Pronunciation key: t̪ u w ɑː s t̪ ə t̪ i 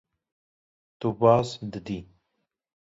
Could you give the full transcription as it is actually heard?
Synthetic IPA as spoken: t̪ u b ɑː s d̪ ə d̪ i